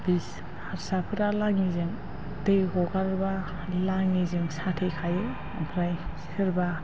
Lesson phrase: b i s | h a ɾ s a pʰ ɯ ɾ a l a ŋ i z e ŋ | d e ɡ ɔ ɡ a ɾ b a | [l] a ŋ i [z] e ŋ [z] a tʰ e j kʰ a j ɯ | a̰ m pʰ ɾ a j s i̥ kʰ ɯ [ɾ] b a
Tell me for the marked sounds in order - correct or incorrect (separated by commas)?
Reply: correct, correct, incorrect, correct